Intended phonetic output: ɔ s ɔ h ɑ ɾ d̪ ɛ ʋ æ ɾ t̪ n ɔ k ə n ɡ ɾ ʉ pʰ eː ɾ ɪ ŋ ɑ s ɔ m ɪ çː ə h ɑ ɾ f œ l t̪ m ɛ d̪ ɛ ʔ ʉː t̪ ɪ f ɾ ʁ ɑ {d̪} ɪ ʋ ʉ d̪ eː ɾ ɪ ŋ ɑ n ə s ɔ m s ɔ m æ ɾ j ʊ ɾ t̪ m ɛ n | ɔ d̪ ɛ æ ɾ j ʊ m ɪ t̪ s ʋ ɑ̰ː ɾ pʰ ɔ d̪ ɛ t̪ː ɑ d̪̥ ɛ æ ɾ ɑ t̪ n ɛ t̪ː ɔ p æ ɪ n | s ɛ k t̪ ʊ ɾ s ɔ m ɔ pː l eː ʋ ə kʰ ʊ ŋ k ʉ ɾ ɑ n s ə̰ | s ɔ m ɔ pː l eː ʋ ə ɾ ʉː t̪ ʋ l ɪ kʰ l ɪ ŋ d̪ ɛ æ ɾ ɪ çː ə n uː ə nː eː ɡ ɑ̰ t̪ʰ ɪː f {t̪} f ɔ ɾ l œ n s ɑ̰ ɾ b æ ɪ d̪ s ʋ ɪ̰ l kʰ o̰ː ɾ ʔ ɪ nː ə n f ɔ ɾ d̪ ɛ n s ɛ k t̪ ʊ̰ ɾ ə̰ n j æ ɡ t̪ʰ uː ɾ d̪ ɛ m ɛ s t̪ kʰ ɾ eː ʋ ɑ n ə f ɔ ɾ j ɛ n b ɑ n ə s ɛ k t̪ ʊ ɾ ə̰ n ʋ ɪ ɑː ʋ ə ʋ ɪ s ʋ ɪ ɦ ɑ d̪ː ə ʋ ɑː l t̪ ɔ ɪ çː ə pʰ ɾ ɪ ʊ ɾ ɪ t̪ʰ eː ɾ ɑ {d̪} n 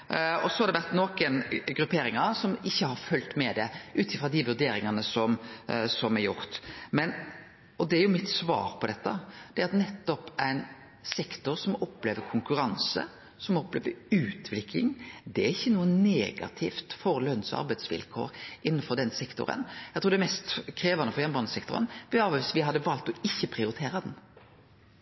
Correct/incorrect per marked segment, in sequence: correct, correct, correct

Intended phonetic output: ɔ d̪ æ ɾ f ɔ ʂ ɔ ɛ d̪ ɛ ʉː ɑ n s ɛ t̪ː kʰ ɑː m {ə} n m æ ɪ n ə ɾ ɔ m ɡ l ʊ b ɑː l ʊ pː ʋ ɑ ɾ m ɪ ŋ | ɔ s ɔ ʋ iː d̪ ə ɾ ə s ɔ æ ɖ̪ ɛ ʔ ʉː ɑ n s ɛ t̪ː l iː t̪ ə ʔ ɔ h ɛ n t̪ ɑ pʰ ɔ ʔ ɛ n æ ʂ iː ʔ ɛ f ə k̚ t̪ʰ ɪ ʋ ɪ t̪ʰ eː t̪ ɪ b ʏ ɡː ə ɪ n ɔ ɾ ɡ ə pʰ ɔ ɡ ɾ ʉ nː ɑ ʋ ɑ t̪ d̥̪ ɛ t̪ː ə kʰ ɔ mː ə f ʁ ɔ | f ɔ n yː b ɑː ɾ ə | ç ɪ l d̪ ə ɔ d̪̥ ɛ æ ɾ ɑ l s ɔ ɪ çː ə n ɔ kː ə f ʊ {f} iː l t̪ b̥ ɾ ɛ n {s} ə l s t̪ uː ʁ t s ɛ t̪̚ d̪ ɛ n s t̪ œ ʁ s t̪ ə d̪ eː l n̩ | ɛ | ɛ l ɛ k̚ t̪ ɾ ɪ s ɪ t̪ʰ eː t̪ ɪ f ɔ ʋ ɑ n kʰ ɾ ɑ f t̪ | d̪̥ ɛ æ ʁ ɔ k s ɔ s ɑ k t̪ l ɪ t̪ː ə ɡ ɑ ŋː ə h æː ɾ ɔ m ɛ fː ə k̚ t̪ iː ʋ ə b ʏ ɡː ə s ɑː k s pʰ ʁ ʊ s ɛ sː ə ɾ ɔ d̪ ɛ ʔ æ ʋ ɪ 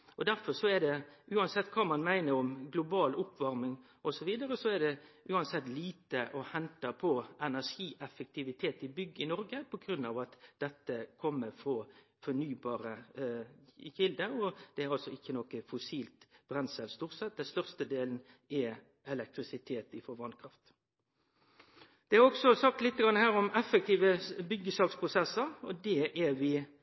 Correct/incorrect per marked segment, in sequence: incorrect: ɑ, incorrect: s, correct

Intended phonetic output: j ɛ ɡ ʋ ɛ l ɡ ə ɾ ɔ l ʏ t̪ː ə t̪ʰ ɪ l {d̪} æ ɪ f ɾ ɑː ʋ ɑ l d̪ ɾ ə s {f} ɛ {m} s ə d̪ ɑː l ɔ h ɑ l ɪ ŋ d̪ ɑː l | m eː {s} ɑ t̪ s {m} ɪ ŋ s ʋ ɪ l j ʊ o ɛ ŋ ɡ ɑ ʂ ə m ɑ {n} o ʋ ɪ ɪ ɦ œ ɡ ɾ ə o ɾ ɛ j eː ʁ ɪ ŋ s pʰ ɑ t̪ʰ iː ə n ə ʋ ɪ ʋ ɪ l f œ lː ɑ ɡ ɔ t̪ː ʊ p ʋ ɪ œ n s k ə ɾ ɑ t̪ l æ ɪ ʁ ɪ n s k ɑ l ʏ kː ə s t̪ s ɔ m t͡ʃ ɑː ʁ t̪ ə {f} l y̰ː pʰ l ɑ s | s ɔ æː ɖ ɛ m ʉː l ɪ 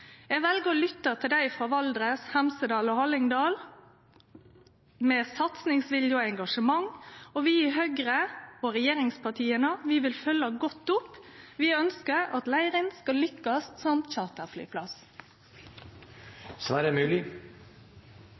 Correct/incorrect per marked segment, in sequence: correct, incorrect: h, correct, correct, incorrect: n, incorrect: ŋ, correct

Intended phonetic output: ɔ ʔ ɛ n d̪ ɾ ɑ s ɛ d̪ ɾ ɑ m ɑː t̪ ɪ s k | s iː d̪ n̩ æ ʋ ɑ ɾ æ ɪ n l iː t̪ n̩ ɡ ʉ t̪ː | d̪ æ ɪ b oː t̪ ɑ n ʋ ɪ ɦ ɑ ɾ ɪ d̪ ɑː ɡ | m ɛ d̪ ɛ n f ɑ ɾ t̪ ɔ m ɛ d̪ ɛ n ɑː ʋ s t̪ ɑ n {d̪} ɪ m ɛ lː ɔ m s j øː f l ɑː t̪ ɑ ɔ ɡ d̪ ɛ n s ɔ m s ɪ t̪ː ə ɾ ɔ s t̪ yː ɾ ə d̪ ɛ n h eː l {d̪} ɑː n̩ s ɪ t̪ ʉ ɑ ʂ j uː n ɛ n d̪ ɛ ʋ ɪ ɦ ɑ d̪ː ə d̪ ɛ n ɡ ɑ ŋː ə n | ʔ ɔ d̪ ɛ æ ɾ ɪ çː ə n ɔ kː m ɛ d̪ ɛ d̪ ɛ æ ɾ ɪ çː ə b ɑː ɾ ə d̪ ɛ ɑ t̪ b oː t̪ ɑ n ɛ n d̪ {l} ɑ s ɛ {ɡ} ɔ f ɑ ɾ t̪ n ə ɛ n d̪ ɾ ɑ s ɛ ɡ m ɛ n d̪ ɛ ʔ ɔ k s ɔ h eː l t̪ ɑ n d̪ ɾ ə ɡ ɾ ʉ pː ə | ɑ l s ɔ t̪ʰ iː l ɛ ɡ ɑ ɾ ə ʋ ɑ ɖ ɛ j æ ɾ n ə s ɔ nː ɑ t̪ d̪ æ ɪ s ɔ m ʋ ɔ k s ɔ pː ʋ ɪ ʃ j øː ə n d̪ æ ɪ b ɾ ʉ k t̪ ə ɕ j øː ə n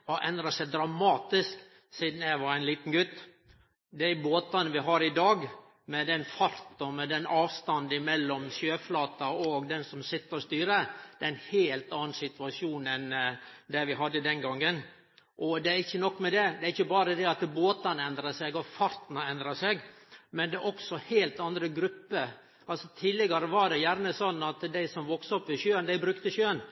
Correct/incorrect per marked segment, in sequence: correct, incorrect: t̪, incorrect: ɾ, correct

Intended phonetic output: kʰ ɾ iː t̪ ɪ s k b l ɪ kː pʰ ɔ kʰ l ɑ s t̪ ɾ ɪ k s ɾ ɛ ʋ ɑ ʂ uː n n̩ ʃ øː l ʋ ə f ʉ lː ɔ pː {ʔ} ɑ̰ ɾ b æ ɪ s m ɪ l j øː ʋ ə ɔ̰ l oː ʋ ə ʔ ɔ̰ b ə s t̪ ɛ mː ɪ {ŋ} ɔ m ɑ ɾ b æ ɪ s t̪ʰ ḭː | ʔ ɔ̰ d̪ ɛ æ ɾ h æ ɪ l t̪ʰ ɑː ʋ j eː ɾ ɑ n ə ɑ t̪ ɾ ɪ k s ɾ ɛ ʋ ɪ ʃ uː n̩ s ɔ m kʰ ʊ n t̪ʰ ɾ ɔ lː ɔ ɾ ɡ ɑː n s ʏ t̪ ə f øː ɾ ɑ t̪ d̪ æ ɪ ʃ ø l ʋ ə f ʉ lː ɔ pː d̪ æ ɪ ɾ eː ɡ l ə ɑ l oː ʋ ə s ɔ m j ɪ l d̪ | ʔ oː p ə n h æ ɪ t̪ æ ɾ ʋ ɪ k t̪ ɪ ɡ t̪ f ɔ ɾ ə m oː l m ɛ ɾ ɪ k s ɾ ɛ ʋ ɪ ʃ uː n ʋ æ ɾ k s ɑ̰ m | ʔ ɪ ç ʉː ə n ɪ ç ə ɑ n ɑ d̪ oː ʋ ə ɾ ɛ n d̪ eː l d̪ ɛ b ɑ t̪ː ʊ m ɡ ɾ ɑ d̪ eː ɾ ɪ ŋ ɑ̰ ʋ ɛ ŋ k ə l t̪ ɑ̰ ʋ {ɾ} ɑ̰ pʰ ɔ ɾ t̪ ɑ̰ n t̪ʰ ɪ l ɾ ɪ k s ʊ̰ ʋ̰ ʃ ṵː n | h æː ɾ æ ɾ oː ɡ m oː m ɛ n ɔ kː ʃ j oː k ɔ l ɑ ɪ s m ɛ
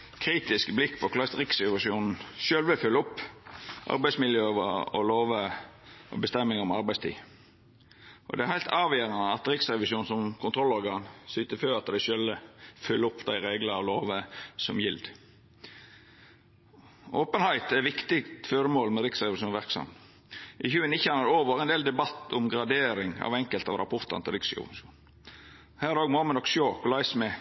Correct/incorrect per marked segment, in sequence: correct, correct, correct

